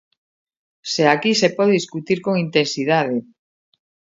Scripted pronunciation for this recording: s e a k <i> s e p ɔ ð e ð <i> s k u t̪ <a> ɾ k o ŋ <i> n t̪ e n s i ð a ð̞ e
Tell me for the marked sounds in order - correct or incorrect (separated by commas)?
correct, correct, incorrect, correct